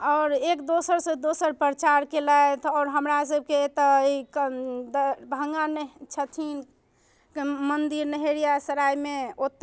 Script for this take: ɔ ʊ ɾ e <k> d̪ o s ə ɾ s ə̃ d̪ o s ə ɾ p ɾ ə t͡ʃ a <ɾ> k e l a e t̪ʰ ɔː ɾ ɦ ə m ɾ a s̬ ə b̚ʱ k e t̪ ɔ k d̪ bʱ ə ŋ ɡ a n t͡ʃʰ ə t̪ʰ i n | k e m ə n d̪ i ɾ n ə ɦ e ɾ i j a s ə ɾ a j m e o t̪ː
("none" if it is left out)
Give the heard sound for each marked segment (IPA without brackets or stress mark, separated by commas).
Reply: k, ɾ